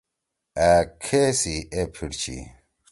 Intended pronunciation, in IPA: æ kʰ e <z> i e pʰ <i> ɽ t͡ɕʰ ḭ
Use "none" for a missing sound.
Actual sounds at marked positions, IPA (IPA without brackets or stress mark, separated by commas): s, i